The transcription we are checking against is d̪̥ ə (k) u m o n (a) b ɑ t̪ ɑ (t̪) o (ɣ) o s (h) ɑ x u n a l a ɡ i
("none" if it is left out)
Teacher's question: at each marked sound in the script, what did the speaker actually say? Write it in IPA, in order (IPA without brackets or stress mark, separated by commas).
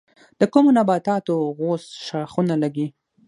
k, a, t̪, ɣ, ʃ